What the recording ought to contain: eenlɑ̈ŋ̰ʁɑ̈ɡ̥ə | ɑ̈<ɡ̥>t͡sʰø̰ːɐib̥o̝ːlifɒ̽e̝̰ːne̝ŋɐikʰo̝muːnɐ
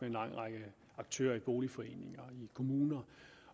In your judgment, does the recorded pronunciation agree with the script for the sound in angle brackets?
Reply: yes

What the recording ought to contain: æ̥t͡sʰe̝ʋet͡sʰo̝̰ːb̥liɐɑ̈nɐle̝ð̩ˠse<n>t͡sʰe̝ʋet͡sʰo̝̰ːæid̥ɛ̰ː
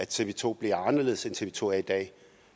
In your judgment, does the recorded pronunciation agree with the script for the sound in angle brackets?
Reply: yes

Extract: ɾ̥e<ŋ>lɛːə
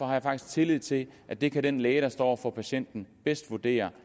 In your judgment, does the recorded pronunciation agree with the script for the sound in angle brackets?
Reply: no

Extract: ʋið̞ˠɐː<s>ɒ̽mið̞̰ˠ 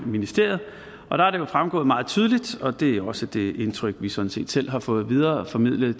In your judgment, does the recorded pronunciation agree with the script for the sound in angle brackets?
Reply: no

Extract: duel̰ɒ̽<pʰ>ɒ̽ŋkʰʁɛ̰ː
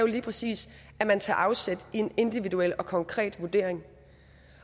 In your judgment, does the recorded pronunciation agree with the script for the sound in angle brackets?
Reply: no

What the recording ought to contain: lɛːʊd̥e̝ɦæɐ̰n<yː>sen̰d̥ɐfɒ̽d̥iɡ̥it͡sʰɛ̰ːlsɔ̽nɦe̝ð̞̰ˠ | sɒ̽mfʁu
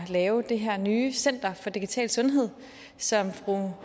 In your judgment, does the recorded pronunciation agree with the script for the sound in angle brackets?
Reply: yes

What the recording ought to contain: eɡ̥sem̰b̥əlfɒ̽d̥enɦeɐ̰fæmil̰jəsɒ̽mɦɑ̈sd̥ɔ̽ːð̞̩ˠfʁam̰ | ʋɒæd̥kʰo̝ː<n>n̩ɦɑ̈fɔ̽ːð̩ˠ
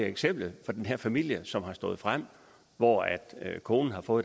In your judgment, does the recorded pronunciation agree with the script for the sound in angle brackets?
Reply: yes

